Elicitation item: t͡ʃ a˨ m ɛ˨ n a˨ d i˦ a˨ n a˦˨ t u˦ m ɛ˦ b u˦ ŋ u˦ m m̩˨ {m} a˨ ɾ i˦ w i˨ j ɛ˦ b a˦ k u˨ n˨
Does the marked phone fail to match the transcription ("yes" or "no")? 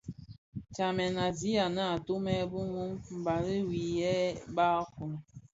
yes